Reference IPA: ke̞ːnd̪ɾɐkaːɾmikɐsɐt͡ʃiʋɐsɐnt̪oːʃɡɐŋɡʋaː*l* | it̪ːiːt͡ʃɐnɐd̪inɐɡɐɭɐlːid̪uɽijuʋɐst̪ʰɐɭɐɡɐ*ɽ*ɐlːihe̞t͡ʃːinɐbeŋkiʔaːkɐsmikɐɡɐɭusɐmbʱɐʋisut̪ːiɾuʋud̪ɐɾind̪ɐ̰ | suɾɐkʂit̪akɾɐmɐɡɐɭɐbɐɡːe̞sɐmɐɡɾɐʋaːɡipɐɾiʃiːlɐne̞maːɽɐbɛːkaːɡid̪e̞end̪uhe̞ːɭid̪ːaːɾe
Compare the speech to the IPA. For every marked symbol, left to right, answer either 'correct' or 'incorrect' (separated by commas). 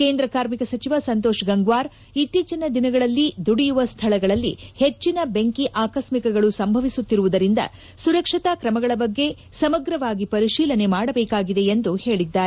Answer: incorrect, incorrect